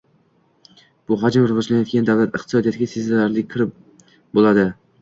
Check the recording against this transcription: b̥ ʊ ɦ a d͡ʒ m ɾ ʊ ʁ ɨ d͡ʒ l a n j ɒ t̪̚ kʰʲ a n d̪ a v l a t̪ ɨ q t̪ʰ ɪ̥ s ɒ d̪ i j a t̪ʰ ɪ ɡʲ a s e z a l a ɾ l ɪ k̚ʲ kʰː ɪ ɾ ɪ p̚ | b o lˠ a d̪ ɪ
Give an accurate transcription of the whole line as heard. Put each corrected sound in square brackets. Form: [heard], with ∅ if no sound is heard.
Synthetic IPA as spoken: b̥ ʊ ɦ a d͡ʒ m ɾ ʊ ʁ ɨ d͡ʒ l a n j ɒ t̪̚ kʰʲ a n d̪ a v l a t̪ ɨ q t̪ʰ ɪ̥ s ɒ d̪ i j a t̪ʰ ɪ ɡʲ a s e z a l a ɾ l ɪ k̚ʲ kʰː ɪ ɾ ɪ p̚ | b o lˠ a d̪ ɪ